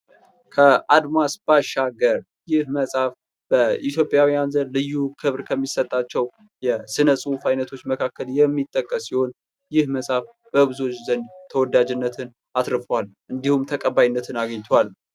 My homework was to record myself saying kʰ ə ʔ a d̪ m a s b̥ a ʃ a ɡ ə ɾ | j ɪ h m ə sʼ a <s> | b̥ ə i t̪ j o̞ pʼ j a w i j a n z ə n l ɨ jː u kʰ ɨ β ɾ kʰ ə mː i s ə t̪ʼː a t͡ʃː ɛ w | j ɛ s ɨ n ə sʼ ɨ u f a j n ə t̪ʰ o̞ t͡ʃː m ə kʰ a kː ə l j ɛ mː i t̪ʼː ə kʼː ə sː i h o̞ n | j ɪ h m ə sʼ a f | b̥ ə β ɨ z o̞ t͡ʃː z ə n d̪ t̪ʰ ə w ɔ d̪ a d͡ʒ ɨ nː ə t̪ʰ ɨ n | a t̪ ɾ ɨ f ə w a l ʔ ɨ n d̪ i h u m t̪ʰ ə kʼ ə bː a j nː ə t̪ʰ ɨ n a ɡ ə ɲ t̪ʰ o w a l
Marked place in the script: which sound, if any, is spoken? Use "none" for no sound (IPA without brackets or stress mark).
f